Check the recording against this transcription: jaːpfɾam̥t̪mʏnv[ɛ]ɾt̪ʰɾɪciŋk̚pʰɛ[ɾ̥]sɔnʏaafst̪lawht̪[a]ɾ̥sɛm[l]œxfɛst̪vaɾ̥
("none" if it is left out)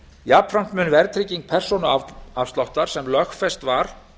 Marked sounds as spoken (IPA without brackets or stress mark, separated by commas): ɛ, r̥, a, l